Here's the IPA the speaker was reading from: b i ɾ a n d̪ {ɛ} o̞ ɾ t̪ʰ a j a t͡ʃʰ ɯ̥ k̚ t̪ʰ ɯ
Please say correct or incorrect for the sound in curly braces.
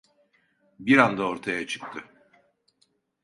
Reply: incorrect